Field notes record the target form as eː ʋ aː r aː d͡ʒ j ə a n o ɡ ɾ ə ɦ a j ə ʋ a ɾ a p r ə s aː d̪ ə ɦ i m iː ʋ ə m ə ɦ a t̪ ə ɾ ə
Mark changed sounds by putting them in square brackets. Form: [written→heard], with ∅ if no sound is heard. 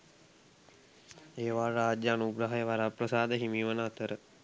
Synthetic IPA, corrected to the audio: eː ʋ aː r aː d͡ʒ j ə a n [o→u] ɡ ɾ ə ɦ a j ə ʋ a ɾ a p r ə s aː d̪ ə ɦ i m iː ʋ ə [m→n] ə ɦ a t̪ ə ɾ ə